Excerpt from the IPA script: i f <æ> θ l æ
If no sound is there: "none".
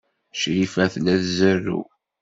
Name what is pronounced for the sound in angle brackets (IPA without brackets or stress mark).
æ